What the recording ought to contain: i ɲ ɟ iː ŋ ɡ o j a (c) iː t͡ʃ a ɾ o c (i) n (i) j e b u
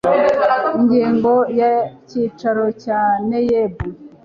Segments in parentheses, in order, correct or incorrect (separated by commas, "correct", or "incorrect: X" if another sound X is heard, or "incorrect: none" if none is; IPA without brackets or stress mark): correct, incorrect: a, incorrect: e